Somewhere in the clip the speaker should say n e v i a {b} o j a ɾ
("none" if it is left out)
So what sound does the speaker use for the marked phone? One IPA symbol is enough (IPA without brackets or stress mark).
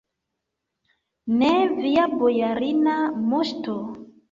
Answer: b